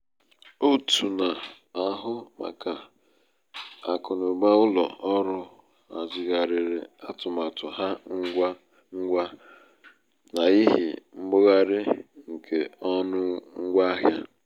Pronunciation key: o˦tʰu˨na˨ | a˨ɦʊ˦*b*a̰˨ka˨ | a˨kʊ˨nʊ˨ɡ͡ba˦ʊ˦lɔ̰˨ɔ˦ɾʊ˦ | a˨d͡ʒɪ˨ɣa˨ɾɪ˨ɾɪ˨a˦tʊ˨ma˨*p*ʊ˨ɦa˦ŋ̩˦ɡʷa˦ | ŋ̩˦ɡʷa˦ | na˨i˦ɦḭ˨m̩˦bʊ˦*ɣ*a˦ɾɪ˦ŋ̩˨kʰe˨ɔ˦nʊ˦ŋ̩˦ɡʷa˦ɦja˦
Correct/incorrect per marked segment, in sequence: incorrect: m, incorrect: t, correct

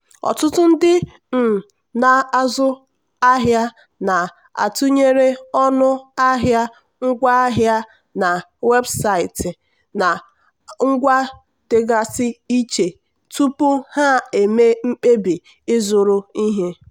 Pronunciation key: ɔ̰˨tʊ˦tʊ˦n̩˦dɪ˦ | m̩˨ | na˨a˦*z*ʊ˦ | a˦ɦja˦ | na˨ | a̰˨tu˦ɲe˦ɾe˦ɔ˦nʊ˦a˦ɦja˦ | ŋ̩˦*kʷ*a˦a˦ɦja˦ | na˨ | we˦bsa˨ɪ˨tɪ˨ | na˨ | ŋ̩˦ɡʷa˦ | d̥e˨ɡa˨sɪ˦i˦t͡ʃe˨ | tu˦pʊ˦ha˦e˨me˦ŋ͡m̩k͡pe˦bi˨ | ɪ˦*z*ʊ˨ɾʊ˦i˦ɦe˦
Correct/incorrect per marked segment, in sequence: correct, incorrect: ɡʷ, correct

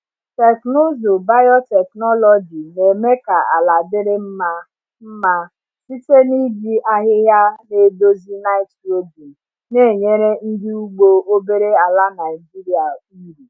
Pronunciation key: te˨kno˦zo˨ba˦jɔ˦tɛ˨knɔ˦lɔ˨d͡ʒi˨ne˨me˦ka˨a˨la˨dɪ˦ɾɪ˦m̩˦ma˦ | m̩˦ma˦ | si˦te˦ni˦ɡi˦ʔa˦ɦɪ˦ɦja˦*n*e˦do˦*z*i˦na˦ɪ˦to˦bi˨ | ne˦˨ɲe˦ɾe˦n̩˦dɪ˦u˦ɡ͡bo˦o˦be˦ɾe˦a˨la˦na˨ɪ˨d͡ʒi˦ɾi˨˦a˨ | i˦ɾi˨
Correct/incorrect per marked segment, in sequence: correct, correct

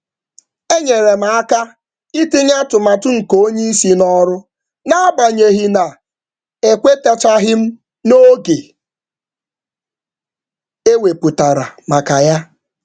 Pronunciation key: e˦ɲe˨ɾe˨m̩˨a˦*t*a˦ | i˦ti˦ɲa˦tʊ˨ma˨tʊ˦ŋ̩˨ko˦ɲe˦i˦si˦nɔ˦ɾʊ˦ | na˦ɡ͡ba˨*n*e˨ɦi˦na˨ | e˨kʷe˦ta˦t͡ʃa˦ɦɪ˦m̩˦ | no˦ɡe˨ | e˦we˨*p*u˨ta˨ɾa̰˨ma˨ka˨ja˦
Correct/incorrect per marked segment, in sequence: incorrect: k, incorrect: ɲ, correct

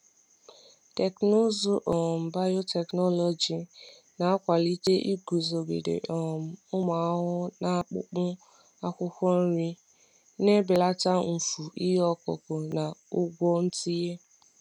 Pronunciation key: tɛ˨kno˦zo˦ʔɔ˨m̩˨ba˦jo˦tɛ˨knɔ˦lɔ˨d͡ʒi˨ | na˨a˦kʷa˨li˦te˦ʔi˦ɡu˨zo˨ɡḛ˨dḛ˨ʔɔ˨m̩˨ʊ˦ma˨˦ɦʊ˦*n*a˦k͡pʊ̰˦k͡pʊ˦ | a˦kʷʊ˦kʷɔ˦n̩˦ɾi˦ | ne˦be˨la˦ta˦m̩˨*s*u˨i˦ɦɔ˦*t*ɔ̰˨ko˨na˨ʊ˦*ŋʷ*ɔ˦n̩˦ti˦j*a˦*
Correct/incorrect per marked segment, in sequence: correct, incorrect: f, incorrect: k, incorrect: ɡʷ, incorrect: e˦

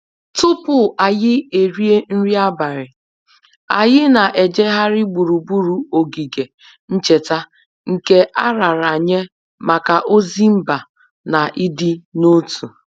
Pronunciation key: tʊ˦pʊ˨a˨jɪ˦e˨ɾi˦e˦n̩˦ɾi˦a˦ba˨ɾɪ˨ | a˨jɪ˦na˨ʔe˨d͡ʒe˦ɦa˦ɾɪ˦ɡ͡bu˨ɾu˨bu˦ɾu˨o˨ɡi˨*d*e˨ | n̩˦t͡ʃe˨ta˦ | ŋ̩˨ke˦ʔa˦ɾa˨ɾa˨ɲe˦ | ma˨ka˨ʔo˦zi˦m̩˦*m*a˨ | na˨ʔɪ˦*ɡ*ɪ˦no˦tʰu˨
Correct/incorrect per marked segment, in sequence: incorrect: ɡ, incorrect: b, incorrect: d

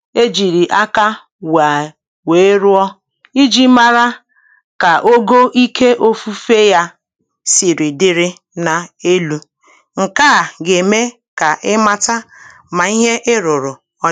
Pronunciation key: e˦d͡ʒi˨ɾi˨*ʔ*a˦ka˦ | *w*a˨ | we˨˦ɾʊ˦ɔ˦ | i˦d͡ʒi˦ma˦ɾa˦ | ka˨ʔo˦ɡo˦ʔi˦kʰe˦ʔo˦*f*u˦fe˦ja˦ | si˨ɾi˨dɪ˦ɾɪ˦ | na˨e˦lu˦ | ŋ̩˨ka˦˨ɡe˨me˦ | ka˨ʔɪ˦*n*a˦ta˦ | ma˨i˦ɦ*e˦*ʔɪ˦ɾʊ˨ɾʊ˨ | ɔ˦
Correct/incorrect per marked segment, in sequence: correct, correct, correct, incorrect: m, correct

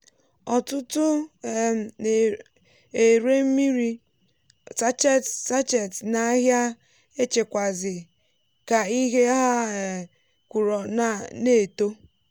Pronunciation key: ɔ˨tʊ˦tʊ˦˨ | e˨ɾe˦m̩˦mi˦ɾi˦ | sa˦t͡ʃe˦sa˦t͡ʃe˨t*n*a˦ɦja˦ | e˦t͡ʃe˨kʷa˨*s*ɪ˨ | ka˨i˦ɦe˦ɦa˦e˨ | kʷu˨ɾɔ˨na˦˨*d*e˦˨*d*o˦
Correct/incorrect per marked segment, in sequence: correct, incorrect: z, incorrect: n, incorrect: t

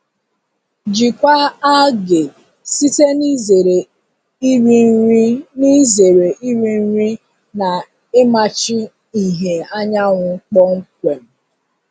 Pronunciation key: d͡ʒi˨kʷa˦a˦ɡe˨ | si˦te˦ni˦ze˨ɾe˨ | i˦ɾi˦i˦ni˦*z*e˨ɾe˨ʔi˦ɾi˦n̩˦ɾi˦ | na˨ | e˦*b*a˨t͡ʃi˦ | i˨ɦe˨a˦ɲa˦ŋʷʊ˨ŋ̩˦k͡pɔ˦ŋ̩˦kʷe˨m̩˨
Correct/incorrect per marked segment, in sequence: correct, incorrect: m

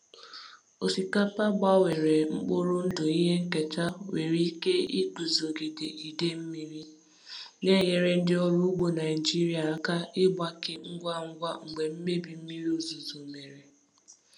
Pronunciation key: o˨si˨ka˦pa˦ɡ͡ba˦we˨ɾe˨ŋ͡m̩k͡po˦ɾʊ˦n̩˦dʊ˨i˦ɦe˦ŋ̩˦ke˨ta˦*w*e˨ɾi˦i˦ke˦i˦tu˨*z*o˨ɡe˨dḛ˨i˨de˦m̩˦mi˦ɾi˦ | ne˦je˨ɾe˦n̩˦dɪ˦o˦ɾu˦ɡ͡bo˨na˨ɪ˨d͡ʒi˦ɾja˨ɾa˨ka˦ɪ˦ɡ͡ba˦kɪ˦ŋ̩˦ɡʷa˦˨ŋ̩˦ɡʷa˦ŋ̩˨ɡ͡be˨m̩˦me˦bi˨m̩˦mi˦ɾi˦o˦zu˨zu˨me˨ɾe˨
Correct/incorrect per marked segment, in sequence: correct, correct

